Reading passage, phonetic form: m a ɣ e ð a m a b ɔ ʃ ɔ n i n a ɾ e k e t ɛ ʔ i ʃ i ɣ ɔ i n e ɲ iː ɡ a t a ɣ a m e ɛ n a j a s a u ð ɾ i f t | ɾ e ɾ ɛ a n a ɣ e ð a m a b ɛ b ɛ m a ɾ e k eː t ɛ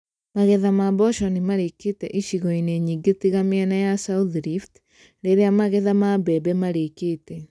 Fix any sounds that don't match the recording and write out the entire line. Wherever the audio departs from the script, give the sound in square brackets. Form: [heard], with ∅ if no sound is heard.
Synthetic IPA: m a ɣ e ð a m a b ɔ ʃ ɔ n i [m] a ɾ e k e t ɛ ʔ i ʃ i ɣ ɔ i n e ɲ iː ɡ [e] t [i] ɣ a m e ɛ n a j a s a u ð ɾ i f t | ɾ e ɾ [e] a [m] a ɣ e ð a m a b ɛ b ɛ m a ɾ e k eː t ɛ